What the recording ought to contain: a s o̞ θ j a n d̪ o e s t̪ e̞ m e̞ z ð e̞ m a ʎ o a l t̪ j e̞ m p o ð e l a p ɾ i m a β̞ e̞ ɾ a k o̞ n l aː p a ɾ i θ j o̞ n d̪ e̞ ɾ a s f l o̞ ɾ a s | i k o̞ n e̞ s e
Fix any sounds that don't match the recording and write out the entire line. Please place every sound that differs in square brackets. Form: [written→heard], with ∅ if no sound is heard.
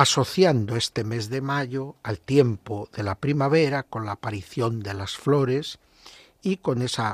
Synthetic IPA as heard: a s o̞ θ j a n d̪ o e s t̪ e̞ m e̞ z ð e̞ m a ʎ o a l t̪ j e̞ m p o ð e l a p ɾ i m a β̞ e̞ ɾ a k o̞ n l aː p a ɾ i θ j o̞ n d̪ e̞ [ɾ→l] a s f l o̞ ɾ [a→e] s | i k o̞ n e̞ s [e→a]